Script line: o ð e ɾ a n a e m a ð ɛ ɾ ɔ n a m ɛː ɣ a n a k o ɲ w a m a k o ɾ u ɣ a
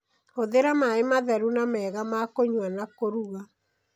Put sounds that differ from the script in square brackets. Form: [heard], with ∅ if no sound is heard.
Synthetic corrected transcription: o ð e ɾ a [m] a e m a ð ɛ ɾ [u] n a m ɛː ɣ a [m] a k o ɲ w a [n] a k o ɾ u ɣ a